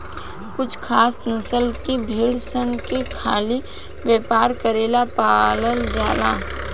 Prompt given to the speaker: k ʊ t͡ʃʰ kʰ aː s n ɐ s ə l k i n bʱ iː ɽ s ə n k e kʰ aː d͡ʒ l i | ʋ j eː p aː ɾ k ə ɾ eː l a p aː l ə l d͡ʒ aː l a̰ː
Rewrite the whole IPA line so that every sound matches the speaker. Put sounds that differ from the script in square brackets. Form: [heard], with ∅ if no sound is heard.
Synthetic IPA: k ʊ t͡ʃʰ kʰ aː s n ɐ s ə l k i [∅] bʱ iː ɽ s ə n k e kʰ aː [∅] l i | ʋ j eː p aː ɾ k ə ɾ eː l a p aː l ə l d͡ʒ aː l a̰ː